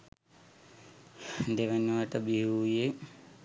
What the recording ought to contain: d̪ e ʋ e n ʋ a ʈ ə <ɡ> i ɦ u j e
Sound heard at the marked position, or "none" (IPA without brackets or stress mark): b